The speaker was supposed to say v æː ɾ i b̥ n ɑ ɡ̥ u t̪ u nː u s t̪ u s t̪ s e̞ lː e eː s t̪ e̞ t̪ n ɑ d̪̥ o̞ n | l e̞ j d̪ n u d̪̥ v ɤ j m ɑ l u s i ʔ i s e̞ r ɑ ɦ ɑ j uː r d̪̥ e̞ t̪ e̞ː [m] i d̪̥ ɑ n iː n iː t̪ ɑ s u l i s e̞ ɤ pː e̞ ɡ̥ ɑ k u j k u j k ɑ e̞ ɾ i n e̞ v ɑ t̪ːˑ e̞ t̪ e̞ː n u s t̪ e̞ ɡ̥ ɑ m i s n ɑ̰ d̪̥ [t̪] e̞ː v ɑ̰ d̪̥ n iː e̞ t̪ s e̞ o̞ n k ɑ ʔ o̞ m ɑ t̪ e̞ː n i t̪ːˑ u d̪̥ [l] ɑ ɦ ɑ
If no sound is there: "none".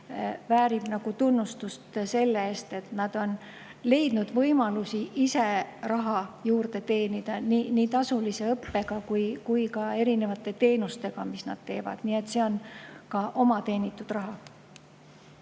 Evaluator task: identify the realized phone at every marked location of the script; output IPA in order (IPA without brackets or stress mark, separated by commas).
n, t̪, r